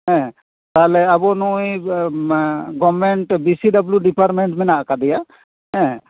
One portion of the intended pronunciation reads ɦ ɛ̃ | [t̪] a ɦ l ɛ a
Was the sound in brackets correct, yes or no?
yes